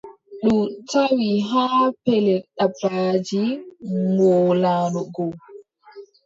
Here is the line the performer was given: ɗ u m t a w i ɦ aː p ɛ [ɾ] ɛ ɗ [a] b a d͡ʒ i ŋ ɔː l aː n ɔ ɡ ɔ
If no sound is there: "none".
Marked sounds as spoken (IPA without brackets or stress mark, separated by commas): l, a